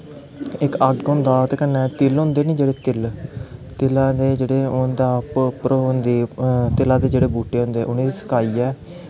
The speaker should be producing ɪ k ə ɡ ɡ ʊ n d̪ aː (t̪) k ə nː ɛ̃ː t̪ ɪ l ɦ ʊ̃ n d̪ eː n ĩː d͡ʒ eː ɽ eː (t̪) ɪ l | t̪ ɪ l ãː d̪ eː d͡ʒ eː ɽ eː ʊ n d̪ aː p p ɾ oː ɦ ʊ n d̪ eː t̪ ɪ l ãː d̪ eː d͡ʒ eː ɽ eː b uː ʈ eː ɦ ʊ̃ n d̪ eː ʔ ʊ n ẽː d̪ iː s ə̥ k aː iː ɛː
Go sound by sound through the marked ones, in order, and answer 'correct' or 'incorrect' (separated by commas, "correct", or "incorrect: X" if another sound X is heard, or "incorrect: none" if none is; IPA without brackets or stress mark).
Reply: correct, correct